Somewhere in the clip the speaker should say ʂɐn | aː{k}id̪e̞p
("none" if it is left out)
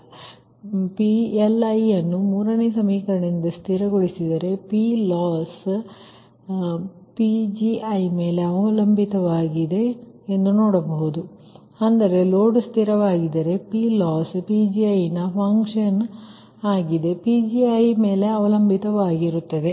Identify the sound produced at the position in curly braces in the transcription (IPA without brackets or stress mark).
ɡ